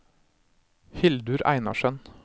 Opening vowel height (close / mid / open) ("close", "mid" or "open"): close